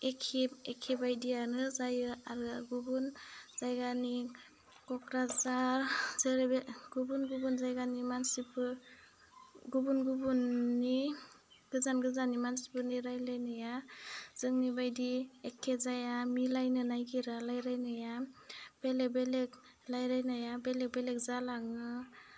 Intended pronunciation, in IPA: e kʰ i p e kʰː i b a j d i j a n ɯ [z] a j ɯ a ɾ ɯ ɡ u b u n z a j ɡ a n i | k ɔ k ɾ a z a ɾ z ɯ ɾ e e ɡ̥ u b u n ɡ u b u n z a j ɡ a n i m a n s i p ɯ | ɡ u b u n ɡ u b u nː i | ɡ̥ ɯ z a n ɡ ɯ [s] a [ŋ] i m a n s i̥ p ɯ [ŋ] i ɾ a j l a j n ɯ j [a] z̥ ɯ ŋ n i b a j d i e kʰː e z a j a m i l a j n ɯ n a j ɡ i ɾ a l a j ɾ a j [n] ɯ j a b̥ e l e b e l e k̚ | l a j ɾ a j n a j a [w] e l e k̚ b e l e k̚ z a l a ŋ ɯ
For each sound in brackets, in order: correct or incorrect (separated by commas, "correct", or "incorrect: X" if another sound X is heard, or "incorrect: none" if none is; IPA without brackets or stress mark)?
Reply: correct, incorrect: z, incorrect: n, incorrect: n, correct, correct, incorrect: b